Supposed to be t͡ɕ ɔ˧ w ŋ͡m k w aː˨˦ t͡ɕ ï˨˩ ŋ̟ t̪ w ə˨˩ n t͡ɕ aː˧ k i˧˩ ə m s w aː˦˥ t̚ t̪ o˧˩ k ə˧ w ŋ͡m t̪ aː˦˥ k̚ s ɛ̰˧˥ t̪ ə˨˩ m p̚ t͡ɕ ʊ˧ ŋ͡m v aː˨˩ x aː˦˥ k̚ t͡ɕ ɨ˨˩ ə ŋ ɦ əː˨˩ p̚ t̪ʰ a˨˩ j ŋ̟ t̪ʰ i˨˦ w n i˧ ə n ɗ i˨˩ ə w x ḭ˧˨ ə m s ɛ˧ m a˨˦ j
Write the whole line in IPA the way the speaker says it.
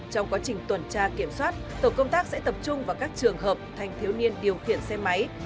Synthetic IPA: t͡ɕ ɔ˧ w ŋ͡m k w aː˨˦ t͡ɕ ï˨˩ ŋ̟ t̪ w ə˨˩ n t͡ɕ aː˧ k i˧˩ ə m s w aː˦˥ t̚ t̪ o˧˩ k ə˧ w ŋ͡m t̪ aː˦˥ k̚ s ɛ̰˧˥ t̪ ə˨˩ p̚ t͡ɕ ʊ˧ ŋ͡m v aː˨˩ k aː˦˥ k̚ t͡ɕ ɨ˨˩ ə ŋ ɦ əː˨˩ p̚ t̪ʰ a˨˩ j ŋ̟ t̪ʰ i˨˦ w n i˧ ə n ɗ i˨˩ ə w x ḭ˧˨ ə n s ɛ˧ m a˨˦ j